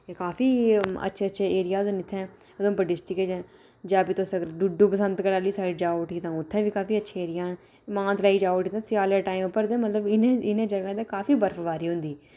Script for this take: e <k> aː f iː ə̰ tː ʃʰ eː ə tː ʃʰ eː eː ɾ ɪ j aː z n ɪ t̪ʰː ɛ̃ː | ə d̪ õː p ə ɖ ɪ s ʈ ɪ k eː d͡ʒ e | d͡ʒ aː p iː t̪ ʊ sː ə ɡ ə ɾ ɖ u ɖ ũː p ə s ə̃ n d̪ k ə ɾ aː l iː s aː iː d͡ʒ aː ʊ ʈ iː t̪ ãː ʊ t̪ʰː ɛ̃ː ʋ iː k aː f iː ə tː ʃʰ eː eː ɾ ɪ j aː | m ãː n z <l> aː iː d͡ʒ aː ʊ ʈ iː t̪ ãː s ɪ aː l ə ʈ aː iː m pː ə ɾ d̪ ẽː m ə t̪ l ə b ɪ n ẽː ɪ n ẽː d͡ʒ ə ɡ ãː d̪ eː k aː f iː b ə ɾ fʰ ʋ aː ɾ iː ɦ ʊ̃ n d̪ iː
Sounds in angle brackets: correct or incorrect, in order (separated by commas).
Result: correct, correct